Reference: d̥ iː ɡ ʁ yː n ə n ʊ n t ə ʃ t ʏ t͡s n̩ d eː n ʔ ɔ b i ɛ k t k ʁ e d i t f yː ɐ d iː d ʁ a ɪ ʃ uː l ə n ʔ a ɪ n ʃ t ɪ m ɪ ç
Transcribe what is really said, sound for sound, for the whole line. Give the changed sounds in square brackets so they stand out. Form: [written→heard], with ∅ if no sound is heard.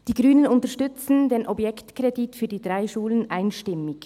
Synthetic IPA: d̥ iː ɡ ʁ yː n ə n ʊ n t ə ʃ t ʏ t͡s n̩ d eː n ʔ ɔ b [i→j] ɛ k t k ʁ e d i t f yː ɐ d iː d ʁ a ɪ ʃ uː l ə n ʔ a ɪ n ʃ t ɪ m ɪ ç